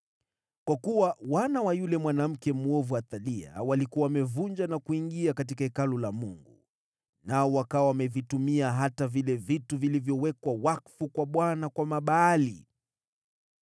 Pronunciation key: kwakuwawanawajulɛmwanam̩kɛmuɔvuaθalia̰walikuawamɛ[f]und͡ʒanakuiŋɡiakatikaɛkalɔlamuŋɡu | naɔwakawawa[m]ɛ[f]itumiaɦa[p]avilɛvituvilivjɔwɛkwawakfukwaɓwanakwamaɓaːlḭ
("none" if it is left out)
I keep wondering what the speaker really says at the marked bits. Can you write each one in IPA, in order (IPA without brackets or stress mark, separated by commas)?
v, m, v, t